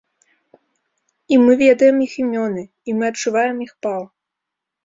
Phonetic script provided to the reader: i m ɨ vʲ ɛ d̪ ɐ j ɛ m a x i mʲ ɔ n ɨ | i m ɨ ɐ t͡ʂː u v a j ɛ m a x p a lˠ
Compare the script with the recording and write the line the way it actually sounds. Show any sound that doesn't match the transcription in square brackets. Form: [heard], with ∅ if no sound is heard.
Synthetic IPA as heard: i m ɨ vʲ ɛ d̪ ɐ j ɛ m [i] x i mʲ ɔ n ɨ | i m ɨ ɐ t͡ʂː u v a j ɛ m [i] x p a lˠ